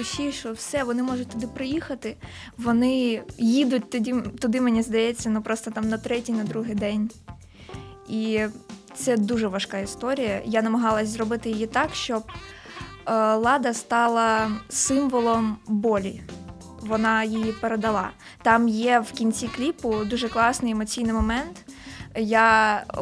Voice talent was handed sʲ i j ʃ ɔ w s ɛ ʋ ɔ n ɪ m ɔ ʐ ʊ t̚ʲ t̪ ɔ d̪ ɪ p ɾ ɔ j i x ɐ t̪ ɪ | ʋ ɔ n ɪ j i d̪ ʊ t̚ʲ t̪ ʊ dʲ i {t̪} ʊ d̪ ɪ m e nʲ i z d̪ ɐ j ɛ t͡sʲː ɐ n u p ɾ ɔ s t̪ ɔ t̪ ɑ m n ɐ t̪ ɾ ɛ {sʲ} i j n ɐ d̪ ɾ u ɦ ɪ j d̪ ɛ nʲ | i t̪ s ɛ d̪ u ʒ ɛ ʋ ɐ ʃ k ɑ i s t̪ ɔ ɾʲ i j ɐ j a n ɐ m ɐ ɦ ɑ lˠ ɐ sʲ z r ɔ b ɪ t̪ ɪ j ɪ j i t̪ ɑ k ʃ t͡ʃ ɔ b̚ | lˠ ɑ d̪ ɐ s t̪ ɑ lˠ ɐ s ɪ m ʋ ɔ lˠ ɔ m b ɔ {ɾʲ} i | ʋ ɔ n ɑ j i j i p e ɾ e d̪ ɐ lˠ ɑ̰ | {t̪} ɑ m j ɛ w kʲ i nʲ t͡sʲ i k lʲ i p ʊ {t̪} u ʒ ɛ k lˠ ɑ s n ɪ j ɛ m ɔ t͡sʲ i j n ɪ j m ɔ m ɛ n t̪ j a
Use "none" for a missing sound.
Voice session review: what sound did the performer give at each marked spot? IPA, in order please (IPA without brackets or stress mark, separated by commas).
t̪, tʲ, lʲ, t̪, d̪